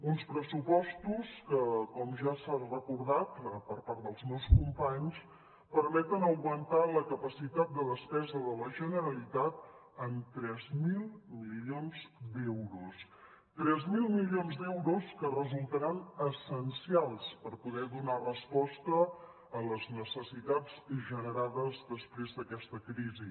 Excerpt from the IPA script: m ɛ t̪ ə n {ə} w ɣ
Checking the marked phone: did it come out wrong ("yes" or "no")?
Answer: no